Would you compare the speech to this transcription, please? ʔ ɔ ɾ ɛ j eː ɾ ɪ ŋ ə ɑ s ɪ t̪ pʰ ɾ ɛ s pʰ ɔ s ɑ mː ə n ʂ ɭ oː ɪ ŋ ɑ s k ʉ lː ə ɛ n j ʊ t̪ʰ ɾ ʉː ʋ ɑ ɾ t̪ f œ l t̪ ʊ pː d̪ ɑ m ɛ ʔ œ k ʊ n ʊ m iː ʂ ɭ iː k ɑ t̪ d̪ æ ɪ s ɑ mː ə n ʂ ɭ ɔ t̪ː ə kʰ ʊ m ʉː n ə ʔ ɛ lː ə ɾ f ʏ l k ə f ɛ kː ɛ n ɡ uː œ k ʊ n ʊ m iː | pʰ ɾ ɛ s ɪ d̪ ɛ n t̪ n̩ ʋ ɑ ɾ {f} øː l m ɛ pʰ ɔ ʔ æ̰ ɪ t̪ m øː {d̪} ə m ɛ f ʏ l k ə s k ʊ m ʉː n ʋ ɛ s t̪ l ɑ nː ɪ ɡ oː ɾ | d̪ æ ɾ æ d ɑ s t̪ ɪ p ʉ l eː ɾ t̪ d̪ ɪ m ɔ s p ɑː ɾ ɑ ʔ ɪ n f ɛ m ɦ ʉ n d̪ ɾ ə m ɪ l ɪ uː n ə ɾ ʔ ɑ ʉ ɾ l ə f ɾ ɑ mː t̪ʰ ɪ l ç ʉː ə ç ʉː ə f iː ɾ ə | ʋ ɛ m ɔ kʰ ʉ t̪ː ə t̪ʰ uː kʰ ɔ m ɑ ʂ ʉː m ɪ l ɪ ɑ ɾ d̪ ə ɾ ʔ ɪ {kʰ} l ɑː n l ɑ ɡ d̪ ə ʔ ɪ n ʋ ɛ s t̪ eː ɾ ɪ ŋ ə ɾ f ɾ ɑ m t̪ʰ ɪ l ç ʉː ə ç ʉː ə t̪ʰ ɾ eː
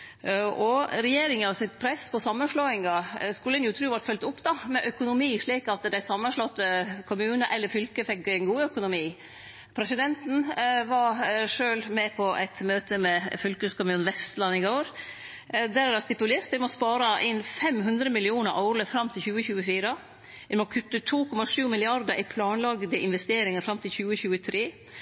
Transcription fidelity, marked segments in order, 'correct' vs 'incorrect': incorrect: ʂ, incorrect: t̪, incorrect: pʰ

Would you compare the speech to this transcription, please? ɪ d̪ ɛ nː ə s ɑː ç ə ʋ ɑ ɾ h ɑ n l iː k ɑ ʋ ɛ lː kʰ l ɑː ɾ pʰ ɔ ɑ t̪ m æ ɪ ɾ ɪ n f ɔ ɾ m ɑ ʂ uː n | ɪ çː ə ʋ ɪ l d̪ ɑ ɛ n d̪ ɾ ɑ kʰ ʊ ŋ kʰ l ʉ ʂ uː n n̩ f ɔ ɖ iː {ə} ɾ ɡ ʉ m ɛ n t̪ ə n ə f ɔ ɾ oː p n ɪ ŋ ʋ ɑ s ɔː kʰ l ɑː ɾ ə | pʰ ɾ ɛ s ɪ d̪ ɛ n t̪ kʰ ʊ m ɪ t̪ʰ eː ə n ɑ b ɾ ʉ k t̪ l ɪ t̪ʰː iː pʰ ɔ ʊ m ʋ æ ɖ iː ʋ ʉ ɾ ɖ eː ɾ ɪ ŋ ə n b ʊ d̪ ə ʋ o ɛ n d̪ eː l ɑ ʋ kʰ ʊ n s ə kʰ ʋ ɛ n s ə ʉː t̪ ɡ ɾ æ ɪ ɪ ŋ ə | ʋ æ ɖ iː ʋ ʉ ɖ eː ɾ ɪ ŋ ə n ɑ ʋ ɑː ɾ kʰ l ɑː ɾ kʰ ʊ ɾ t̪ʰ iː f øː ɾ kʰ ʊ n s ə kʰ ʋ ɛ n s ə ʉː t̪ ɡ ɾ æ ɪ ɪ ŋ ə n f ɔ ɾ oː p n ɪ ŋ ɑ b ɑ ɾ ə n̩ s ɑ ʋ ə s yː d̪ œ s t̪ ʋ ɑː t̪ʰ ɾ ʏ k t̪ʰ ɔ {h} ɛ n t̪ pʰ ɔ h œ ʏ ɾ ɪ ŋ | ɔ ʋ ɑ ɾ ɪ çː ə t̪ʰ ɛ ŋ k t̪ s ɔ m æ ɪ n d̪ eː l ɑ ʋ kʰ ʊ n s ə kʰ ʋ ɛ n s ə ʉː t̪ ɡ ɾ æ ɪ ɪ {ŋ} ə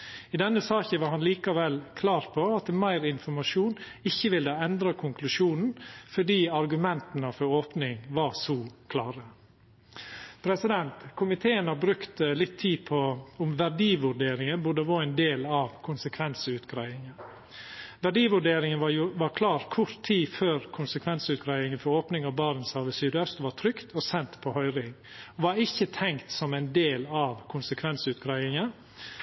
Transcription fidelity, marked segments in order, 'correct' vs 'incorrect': incorrect: ɑ, incorrect: s, correct

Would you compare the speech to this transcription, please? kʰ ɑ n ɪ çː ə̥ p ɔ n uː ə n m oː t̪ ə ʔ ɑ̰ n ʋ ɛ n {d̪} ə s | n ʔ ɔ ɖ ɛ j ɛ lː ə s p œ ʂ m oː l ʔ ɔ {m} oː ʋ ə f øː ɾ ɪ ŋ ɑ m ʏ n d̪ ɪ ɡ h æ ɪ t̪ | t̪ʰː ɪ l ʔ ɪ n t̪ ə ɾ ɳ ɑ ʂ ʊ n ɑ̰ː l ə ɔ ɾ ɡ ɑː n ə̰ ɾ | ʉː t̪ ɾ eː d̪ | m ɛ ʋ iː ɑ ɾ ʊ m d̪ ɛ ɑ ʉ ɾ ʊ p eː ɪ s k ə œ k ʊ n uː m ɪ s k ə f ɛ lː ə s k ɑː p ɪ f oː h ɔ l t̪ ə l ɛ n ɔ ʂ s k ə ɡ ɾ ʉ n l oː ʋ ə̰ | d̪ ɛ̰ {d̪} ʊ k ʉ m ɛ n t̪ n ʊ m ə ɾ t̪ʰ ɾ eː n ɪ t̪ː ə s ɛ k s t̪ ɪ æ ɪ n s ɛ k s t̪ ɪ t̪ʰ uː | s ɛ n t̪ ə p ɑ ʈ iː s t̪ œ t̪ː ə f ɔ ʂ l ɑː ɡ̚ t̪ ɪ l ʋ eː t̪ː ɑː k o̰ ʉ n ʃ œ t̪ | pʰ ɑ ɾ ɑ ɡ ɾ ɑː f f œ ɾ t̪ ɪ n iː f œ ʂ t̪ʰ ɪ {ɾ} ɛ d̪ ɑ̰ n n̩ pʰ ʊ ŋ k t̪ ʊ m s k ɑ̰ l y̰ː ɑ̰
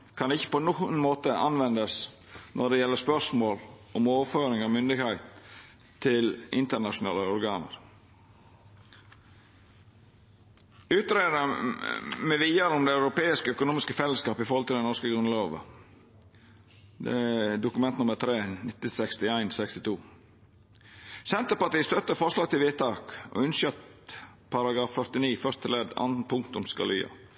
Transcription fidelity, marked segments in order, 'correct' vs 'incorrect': correct, correct, correct, incorrect: l

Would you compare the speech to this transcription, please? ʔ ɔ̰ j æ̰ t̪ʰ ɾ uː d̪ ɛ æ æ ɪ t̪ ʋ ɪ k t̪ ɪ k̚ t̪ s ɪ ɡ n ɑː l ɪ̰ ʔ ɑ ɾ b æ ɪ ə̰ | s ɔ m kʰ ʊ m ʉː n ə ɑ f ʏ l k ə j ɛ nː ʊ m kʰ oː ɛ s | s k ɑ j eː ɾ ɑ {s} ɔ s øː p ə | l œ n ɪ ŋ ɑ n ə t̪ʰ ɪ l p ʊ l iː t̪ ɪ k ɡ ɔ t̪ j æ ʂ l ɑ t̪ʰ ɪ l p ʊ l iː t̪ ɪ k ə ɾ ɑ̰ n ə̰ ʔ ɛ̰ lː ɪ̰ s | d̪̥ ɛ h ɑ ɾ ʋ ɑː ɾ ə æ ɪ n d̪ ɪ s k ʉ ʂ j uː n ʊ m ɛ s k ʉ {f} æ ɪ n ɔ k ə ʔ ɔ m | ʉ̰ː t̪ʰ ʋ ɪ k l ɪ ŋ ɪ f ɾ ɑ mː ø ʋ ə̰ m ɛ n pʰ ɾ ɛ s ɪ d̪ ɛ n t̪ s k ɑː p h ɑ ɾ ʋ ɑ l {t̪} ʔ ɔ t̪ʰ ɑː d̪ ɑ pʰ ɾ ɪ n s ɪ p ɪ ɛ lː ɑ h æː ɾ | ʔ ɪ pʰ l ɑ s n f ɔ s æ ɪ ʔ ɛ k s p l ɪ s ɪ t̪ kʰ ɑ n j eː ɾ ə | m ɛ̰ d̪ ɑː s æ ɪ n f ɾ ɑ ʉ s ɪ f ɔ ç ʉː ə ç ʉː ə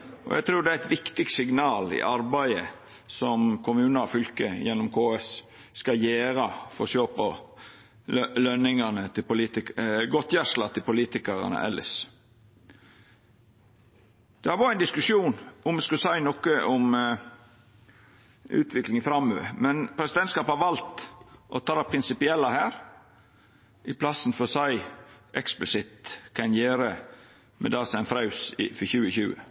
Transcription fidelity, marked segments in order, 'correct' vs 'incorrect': incorrect: f, incorrect: s, correct

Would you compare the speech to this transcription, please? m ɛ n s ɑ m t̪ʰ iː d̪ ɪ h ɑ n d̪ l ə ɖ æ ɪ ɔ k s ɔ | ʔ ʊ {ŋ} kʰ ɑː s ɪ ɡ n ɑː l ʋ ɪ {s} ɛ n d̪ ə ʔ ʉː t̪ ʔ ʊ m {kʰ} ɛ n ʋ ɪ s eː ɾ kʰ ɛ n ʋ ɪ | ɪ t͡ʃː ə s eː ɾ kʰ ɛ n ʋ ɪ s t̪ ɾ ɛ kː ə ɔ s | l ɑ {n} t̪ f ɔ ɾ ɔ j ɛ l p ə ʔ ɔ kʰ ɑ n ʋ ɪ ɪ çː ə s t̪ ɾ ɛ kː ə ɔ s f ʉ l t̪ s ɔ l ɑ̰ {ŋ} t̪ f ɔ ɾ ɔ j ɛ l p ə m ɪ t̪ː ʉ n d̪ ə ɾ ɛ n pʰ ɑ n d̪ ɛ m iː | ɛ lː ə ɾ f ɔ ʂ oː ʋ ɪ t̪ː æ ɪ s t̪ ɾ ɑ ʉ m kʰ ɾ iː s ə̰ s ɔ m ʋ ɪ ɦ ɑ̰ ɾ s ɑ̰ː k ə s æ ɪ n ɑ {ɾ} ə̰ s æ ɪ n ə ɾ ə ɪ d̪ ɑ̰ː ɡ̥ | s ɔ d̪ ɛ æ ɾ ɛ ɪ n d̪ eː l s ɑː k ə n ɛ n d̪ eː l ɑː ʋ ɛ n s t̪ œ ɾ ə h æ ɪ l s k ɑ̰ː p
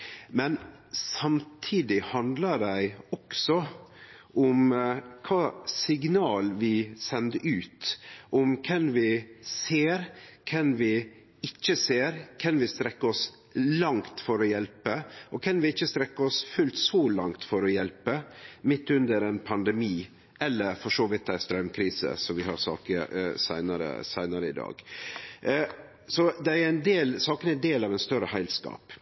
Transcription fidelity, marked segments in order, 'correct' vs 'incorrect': incorrect: m, correct, correct, incorrect: ŋ, correct, correct

